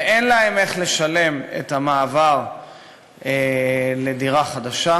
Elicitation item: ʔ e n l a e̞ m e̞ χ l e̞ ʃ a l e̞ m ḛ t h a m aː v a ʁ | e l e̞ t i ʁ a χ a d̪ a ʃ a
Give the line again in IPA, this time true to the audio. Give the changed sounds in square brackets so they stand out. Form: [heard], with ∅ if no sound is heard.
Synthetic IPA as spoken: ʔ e n l a e̞ m e̞ χ l e̞ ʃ a l e̞ m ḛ t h a m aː v a ʁ | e l e̞ [d] i ʁ a χ a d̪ a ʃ a